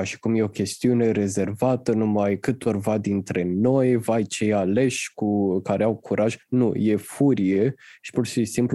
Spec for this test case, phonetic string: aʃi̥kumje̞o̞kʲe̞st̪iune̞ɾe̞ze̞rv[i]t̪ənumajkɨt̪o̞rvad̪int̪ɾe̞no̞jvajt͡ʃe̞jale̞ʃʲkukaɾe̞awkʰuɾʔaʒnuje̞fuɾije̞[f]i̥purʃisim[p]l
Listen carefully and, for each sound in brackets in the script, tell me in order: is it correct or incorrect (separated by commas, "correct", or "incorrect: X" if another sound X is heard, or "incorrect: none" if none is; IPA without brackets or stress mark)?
incorrect: a, incorrect: ʃ, correct